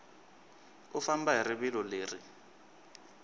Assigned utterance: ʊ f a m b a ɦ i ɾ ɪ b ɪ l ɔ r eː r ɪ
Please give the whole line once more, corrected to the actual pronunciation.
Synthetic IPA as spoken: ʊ f a m b a ɦ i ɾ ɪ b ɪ l ɔ l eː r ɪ